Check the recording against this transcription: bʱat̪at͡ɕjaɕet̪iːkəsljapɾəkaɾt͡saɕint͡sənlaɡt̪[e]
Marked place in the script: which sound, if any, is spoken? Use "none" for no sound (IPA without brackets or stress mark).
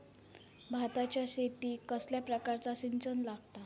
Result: a